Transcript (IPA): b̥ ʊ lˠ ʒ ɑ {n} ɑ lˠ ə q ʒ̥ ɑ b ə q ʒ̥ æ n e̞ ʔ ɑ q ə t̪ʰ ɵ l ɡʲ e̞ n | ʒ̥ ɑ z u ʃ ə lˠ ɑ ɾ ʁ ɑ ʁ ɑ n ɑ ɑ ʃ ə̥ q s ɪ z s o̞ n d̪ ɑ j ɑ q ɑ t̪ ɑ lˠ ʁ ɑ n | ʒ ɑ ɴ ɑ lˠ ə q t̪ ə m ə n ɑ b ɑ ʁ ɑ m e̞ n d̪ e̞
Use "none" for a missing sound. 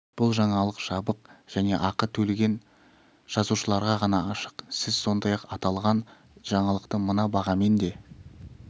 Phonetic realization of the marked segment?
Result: ɴ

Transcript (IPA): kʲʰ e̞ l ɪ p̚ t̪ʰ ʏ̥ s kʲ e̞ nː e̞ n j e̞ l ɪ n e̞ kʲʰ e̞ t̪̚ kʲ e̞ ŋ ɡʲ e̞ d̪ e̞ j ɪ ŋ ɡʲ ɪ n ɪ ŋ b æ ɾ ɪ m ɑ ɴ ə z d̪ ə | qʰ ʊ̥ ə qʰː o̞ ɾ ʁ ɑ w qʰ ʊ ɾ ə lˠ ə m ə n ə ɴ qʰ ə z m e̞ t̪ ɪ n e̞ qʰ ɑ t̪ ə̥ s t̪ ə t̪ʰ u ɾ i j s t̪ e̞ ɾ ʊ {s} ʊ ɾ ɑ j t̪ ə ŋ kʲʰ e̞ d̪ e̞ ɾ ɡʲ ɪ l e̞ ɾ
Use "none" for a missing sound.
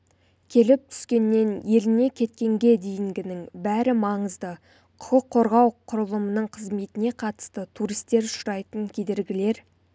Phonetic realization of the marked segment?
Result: ʃ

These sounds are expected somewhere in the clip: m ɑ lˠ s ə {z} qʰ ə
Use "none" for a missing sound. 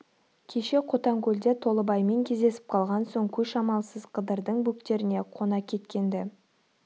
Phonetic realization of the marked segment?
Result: z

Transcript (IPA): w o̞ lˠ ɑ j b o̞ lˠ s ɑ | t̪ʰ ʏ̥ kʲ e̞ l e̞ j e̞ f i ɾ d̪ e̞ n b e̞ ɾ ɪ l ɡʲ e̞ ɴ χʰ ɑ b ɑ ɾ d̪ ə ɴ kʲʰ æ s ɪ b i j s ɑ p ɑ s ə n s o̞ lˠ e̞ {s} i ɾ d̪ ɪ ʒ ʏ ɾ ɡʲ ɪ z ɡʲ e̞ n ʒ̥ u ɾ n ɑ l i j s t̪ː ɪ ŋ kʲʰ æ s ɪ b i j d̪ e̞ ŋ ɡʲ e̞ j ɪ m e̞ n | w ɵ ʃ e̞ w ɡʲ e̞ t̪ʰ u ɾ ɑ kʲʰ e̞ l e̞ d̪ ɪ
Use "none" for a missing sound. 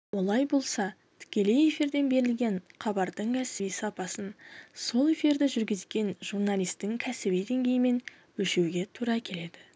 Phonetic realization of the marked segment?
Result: f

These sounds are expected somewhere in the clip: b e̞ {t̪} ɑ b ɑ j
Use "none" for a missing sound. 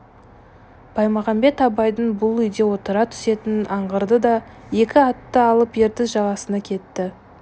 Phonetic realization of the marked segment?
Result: t̪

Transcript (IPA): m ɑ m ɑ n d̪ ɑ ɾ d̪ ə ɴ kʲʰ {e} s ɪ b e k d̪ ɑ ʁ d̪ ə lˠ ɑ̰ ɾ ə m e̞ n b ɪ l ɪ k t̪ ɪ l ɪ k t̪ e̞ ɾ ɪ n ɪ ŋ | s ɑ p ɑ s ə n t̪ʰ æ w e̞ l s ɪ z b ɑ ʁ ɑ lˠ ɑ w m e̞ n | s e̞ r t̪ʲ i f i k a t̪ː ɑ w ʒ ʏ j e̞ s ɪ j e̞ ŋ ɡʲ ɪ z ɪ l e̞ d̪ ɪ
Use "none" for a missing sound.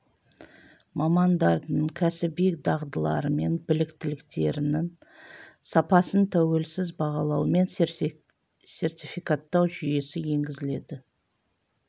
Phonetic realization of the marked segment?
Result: æ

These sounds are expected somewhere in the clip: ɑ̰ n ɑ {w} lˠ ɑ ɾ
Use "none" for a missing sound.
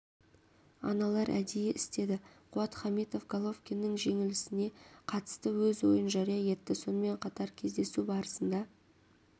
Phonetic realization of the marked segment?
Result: none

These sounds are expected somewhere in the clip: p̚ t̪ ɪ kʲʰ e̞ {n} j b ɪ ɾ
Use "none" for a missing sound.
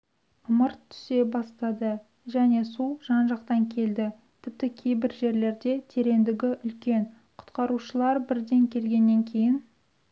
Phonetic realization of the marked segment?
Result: none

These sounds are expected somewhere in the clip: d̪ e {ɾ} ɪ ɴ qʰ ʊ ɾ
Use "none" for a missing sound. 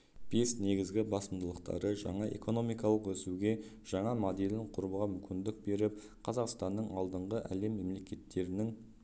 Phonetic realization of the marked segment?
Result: l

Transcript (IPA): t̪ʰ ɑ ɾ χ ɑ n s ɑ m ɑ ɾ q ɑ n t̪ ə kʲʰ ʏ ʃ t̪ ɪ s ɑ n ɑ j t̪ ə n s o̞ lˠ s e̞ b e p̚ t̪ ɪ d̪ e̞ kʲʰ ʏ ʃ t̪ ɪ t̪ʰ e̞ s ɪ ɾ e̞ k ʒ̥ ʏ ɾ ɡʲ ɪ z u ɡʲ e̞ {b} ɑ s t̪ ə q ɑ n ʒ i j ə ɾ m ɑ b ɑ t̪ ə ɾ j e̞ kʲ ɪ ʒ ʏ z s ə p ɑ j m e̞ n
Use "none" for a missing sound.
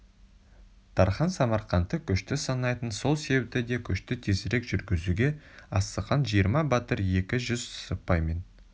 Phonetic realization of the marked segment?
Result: none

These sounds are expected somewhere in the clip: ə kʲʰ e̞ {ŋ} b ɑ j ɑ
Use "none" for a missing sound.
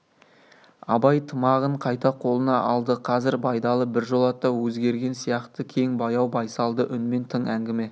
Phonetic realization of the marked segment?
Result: ŋ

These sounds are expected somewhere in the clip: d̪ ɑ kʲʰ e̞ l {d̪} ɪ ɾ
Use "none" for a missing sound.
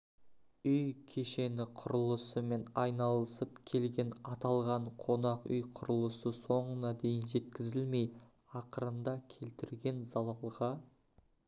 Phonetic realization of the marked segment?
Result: t̪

